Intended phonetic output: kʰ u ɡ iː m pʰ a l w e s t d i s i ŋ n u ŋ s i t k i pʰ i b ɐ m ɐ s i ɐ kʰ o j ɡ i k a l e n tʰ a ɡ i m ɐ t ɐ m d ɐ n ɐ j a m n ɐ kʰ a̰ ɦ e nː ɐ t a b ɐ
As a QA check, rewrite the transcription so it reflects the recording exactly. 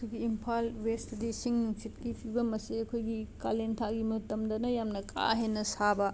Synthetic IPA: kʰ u ɡ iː m pʰ a l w e s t d i s i ŋ n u ŋ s i t k i pʰ i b ɐ m ɐ s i ɐ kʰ o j ɡ i k a l e n tʰ a ɡ i m ɐ t ɐ m d ɐ n ɐ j a m n ɐ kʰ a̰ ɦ e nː ɐ s a b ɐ